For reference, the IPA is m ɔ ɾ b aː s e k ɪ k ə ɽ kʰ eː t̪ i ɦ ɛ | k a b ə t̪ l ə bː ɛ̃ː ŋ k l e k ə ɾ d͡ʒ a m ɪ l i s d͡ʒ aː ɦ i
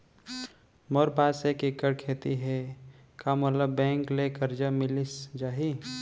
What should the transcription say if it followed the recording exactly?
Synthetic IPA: m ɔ ɾ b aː s e k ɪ k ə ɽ kʰ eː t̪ i ɦ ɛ | k a m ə t̪ l ə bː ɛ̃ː ŋ k l e k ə ɾ d͡ʒ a m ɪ l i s d͡ʒ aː ɦ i